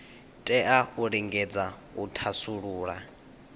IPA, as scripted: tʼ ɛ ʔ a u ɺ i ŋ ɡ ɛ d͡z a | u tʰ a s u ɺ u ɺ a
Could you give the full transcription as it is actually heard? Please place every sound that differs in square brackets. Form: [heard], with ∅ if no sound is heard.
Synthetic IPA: tʼ ɛ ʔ a u ɺ i ŋ ɡ ɛ d͡z a | u tʰ a s u ɺ [uː] ɺ a